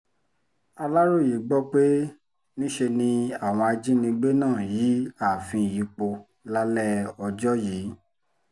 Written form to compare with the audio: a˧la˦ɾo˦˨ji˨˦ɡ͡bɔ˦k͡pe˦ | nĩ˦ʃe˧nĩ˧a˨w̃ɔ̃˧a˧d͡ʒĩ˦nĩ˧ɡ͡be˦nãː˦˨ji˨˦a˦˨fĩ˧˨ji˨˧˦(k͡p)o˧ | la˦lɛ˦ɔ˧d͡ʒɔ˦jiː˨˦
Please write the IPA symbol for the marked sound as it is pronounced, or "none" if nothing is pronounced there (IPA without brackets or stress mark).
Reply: k͡p